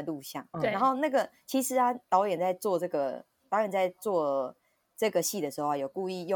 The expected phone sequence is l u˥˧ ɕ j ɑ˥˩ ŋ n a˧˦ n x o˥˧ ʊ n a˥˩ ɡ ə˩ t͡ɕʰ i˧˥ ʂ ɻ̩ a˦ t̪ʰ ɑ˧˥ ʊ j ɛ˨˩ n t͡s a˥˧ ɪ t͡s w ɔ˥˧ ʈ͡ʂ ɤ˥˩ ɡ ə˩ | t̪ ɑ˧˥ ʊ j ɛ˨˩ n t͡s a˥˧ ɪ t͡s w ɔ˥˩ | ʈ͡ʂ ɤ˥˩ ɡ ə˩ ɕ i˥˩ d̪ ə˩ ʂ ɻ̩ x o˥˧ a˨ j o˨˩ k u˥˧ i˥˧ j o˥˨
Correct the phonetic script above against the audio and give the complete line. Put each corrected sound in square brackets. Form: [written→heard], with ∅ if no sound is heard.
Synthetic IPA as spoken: l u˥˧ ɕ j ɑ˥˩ ŋ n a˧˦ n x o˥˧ ʊ n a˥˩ ɡ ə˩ t͡ɕʰ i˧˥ ʂ ɻ̩ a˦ [t̪ʰ→t̪] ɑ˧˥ ʊ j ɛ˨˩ n t͡s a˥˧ ɪ t͡s w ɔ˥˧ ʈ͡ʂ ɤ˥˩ ɡ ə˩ | t̪ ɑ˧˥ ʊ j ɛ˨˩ n t͡s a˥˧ ɪ t͡s w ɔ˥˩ | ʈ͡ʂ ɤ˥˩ ɡ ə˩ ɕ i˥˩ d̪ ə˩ ʂ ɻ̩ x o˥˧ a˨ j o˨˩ k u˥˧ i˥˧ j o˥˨